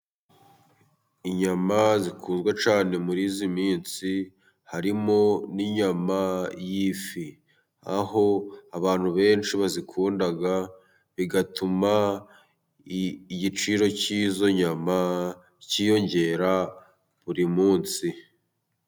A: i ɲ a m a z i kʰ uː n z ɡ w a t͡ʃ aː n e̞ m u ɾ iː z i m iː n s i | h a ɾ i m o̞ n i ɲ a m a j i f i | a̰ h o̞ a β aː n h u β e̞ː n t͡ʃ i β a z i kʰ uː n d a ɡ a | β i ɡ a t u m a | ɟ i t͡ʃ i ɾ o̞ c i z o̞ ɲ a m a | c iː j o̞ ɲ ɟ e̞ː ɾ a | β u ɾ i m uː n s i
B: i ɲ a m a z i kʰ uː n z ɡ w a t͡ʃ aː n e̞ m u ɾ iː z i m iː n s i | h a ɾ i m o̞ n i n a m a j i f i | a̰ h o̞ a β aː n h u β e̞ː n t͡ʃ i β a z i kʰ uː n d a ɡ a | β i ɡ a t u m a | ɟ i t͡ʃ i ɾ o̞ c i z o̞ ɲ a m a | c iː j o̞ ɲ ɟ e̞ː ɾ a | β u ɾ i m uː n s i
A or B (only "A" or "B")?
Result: A